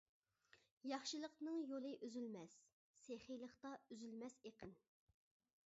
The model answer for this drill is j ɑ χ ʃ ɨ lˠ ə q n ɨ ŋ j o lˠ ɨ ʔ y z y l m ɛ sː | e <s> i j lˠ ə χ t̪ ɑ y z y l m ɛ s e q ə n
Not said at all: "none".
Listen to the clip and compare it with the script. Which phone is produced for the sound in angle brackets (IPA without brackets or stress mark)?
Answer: χ